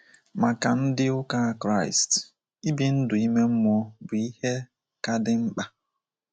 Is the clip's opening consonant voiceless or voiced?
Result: voiced